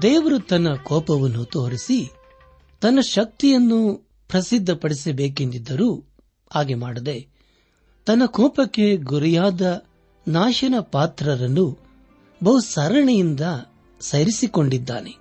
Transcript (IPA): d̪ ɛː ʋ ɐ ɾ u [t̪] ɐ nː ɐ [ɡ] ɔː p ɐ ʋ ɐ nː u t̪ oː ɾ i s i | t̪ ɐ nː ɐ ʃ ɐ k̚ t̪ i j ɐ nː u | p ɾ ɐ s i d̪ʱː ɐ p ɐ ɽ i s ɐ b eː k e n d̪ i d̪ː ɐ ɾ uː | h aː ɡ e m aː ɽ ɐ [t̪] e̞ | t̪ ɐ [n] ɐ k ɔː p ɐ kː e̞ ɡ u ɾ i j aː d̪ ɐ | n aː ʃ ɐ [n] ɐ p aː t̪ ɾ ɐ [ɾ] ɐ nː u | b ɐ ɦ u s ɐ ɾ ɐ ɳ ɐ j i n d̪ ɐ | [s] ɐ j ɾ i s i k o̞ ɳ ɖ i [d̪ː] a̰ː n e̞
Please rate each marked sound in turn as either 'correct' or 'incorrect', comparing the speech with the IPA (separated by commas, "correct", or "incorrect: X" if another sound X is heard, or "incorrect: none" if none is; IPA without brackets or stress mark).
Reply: correct, incorrect: k, incorrect: d̪, incorrect: nː, correct, correct, correct, correct